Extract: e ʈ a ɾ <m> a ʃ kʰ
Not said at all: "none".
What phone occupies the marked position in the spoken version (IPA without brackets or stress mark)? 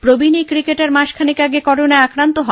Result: m